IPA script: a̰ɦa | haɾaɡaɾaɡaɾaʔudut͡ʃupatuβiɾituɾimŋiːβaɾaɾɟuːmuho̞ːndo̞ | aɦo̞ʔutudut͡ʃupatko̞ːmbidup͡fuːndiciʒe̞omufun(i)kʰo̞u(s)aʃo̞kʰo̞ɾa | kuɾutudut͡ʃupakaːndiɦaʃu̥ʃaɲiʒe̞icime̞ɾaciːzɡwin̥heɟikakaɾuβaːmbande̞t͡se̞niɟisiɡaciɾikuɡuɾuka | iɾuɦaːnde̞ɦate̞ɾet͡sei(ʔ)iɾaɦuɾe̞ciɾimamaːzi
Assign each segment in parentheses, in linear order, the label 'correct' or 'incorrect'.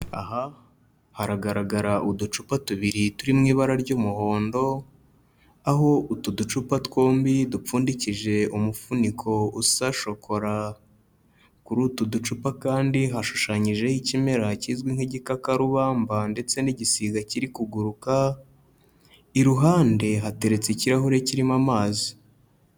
correct, correct, incorrect: c

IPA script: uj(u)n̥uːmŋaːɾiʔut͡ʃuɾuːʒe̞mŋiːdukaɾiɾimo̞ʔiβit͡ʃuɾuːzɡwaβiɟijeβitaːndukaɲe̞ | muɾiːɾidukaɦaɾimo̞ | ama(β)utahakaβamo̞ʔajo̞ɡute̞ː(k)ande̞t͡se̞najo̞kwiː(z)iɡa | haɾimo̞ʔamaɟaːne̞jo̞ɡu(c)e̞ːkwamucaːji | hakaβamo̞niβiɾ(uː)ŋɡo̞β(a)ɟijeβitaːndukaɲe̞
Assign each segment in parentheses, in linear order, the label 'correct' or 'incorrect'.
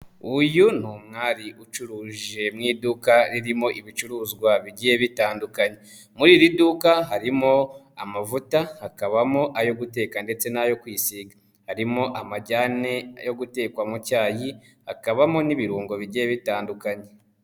correct, incorrect: v, correct, incorrect: s, incorrect: t, correct, incorrect: i

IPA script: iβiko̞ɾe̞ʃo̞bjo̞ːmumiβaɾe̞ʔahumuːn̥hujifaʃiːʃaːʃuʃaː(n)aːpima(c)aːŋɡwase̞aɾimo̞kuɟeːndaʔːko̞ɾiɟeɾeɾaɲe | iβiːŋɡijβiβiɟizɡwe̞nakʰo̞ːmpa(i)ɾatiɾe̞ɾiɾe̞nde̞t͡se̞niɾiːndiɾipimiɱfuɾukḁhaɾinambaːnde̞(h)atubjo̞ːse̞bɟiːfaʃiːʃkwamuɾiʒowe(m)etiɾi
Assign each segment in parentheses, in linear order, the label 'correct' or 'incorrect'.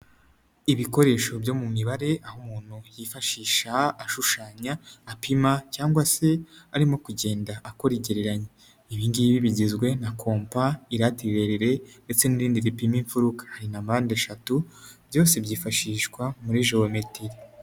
incorrect: ɲ, correct, correct, incorrect: ʃ, correct

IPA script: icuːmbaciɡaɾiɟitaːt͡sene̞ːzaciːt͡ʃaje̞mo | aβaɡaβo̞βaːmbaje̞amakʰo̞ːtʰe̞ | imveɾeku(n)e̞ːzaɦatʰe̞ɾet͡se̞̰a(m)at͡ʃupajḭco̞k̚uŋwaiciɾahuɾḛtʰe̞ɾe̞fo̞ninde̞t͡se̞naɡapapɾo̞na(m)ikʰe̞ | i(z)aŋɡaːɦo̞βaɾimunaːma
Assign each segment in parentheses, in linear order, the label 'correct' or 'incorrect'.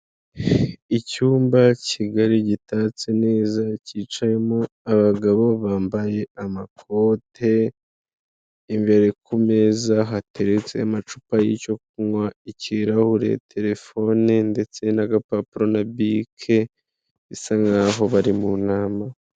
incorrect: m, correct, incorrect: b, incorrect: s

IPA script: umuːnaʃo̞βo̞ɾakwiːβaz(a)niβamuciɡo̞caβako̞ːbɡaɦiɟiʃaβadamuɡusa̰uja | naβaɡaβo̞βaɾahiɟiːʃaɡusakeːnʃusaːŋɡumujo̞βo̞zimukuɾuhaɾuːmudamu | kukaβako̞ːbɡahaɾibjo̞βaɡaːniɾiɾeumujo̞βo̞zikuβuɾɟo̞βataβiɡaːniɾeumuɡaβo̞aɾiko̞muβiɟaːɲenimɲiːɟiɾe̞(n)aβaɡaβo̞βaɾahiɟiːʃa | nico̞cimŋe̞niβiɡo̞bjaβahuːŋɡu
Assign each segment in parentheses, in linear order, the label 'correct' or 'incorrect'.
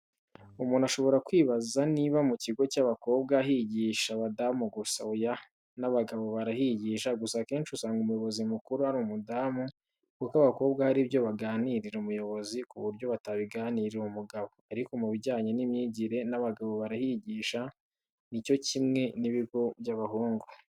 correct, correct

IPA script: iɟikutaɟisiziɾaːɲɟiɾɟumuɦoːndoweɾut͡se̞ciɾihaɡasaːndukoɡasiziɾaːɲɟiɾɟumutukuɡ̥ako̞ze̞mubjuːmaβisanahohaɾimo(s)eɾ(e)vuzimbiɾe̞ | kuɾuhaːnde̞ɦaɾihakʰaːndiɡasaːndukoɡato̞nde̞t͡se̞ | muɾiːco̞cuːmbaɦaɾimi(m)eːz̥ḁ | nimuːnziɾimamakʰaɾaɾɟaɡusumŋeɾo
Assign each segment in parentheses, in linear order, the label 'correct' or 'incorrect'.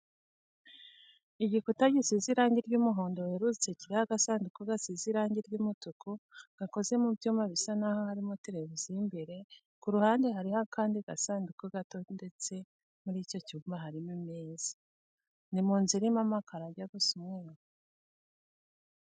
incorrect: t, correct, correct

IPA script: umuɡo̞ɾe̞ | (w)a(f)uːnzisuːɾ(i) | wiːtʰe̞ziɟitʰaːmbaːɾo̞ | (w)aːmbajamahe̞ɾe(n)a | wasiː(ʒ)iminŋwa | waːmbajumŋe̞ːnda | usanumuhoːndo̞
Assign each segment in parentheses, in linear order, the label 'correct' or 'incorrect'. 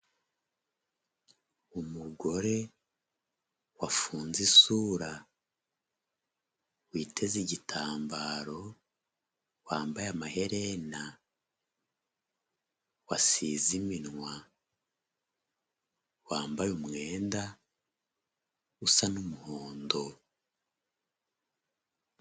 correct, correct, incorrect: a, correct, correct, incorrect: z

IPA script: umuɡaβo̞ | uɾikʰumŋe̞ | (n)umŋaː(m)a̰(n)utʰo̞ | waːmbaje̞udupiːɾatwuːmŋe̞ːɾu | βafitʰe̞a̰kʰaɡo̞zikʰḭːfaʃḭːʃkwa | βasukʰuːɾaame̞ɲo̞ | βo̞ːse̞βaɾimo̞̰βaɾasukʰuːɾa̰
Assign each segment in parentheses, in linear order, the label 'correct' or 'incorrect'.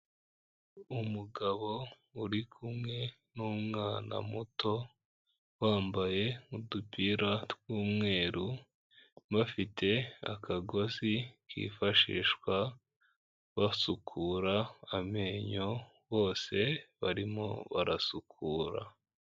correct, incorrect: n, incorrect: m

